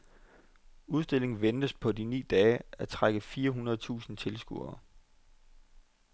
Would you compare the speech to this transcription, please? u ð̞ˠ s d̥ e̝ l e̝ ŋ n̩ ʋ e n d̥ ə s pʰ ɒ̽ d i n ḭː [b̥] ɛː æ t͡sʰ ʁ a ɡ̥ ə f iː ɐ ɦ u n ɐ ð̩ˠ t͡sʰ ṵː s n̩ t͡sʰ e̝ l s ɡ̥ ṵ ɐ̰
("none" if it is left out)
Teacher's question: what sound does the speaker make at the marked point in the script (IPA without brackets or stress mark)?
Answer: d̥